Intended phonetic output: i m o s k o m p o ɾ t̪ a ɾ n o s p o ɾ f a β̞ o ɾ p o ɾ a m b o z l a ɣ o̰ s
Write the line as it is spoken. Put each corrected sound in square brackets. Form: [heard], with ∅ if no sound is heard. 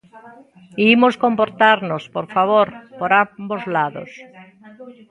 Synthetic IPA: i m o s k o m p o ɾ t̪ a ɾ n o s p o ɾ f a β̞ o ɾ p o ɾ a m b o z l a [ð] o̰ s